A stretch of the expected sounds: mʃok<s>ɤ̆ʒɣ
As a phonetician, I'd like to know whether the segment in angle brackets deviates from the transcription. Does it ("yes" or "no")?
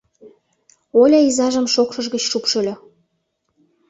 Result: yes